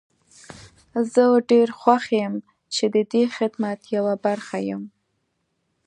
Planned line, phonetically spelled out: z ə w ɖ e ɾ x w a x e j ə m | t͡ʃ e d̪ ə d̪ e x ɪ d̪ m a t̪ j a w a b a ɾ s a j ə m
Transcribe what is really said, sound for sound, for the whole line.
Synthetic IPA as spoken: z ə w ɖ e ɾ x w a x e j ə m | t͡ʃ e d̪ ə d̪ e x ɪ d̪ m a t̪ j a w a b a ɾ x a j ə m